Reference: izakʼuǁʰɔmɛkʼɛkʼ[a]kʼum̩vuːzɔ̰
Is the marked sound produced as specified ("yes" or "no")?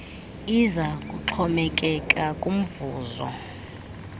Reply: yes